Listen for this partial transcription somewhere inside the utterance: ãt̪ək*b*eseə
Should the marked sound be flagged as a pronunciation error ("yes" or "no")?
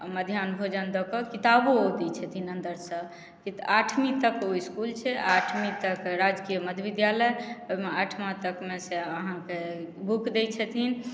yes